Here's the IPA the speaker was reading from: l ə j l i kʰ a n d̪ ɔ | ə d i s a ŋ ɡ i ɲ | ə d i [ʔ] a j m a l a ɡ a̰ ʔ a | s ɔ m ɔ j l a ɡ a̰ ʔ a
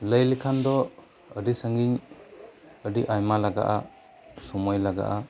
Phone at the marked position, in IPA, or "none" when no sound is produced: ʔ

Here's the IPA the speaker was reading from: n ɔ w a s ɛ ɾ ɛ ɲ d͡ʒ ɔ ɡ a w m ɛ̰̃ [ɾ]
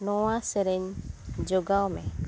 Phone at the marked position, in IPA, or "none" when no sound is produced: none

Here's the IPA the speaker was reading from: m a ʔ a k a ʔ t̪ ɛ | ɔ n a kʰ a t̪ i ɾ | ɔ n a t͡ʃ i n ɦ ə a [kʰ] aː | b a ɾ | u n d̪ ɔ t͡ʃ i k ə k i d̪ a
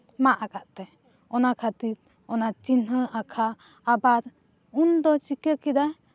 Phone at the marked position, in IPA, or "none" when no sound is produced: kʰ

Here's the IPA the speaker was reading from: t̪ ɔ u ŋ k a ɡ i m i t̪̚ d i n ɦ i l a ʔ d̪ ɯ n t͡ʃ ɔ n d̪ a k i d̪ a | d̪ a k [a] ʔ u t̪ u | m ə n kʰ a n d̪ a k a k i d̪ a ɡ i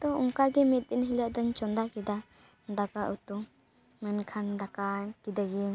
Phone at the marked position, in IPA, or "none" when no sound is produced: a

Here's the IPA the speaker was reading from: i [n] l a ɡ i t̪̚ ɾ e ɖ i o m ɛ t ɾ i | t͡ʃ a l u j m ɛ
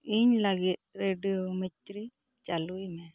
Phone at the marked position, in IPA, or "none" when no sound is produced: ɲ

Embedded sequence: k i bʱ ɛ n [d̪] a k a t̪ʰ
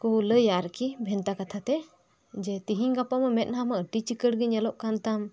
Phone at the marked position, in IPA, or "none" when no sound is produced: t̪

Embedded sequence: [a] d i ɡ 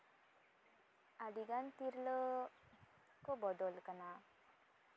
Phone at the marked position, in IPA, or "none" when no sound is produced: a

